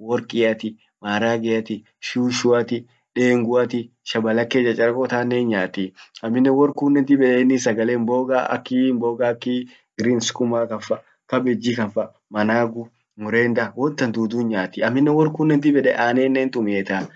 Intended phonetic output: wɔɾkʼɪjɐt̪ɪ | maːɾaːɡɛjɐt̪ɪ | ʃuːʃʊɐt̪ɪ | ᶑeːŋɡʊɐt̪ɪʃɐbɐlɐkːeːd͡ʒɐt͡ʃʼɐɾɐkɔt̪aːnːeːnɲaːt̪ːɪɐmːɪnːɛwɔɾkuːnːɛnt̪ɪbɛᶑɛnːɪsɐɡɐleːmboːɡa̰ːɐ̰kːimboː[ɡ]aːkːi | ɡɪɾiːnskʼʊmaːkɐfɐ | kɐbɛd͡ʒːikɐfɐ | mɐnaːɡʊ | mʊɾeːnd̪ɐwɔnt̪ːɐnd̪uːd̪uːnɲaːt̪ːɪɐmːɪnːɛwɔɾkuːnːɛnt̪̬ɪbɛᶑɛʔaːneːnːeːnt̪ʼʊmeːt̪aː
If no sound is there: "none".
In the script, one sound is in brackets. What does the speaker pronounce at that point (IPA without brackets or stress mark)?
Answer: ɡ